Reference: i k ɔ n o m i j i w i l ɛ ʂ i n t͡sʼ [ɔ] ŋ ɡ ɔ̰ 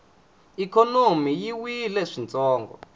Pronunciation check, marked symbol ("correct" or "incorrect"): incorrect